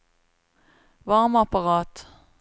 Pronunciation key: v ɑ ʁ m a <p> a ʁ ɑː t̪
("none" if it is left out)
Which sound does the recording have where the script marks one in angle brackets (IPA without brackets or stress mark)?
p